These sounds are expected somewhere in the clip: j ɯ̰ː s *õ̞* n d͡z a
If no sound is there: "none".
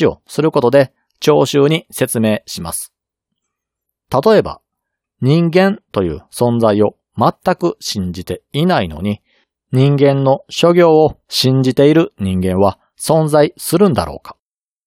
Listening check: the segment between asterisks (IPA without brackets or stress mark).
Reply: õ̞